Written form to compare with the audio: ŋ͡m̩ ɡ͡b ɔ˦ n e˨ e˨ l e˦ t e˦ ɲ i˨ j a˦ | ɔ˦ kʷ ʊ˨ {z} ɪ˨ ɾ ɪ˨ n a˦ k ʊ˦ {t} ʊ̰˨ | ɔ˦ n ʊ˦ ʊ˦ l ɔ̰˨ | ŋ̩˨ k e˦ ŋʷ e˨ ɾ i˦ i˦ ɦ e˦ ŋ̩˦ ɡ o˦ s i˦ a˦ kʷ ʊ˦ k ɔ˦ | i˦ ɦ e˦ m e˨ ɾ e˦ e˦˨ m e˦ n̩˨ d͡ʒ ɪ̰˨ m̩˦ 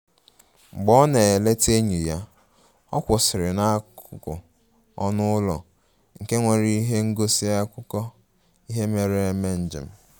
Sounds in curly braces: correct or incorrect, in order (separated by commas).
incorrect, incorrect